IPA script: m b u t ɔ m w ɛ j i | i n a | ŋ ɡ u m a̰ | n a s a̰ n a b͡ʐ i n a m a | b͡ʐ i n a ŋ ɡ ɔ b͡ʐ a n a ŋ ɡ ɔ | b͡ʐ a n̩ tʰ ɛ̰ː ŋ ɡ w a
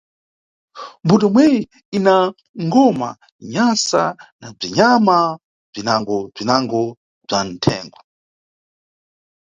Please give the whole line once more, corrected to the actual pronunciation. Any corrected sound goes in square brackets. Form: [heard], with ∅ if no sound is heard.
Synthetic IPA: m b u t ɔ m w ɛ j i | i n a | ŋ ɡ [ɔ] m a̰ | [ɲ] a s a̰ n a b͡ʐ i [ɲ] a m a | b͡ʐ i n a ŋ ɡ ɔ b͡ʐ [i] n a ŋ ɡ ɔ | b͡ʐ a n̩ tʰ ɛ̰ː ŋ ɡ w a